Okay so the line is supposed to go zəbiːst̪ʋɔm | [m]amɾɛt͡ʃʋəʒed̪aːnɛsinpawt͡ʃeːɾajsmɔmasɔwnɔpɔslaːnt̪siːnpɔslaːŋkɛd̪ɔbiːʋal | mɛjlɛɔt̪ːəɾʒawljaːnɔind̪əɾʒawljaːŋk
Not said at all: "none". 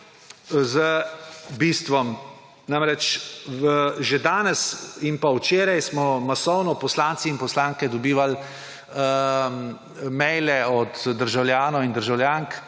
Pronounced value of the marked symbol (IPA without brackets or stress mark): n